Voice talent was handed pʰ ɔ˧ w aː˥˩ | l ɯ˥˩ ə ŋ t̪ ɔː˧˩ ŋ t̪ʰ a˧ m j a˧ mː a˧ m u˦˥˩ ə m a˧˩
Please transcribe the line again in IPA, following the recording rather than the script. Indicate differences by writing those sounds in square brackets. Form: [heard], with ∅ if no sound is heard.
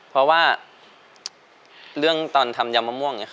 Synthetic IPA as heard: pʰ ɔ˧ w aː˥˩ | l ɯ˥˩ ə ŋ t̪ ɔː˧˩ [n] t̪ʰ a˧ m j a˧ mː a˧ m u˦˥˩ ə [ŋ] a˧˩